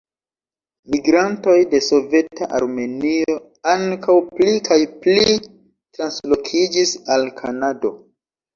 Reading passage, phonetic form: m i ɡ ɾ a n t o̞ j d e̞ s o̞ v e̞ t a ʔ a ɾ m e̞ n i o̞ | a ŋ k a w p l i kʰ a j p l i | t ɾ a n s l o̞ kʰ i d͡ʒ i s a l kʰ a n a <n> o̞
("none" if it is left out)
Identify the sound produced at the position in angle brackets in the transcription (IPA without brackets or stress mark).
d